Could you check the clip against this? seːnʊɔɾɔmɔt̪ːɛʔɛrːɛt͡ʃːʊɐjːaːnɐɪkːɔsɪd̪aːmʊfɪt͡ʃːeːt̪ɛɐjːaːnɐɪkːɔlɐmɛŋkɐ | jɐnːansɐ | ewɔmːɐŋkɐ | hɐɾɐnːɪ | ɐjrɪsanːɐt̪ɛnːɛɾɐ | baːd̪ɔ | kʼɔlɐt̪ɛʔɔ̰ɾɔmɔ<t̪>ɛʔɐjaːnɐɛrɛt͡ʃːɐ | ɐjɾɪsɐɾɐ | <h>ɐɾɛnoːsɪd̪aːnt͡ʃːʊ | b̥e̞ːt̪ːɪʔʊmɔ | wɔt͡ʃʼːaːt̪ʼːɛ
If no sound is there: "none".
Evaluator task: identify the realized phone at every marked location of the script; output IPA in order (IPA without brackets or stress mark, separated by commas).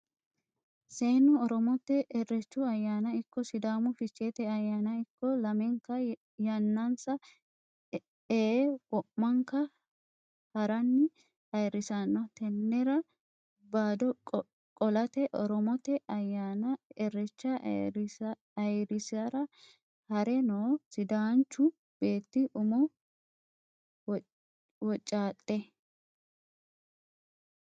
t̪, h